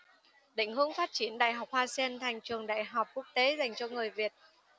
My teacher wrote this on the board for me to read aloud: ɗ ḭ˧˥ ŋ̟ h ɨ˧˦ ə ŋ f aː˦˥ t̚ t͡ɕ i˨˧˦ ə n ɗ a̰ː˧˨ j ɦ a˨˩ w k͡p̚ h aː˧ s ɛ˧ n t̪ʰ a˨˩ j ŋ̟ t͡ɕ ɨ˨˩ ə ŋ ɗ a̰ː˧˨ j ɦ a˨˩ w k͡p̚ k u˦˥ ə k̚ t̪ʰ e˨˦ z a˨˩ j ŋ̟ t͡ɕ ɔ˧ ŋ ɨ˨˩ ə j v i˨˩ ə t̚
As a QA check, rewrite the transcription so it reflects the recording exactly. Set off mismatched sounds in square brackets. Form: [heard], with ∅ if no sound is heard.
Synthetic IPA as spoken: ɗ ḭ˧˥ ŋ̟ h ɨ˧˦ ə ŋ f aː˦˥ t̚ t͡ɕ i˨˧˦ ə n ɗ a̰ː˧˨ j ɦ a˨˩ w k͡p̚ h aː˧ s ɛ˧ n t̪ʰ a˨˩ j ŋ̟ t͡ɕ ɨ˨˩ ə ŋ ɗ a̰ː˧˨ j ɦ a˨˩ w k͡p̚ k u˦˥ ə k̚ [t̪] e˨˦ z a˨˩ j ŋ̟ t͡ɕ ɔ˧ ŋ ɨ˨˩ ə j v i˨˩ ə t̚